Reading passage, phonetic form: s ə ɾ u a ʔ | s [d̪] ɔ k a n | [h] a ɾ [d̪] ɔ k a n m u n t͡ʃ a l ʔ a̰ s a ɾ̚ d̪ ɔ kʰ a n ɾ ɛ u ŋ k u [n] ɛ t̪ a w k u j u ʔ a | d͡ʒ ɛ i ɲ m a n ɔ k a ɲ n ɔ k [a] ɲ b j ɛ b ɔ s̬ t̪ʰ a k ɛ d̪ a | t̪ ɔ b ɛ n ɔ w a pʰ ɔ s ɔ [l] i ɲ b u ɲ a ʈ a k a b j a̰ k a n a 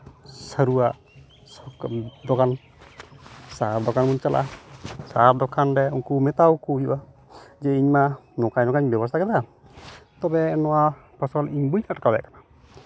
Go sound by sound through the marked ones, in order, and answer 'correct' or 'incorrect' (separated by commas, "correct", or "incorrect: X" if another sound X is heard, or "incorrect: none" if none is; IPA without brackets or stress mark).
correct, incorrect: s, correct, incorrect: m, correct, correct